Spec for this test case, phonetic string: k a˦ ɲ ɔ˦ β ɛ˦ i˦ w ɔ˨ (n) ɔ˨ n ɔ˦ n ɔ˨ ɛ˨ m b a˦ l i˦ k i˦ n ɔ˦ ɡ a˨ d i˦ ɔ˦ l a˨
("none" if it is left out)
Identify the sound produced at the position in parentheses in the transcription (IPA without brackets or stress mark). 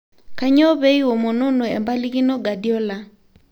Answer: m